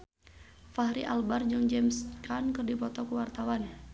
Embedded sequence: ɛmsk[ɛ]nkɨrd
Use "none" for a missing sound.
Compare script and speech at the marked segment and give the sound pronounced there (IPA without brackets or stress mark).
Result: a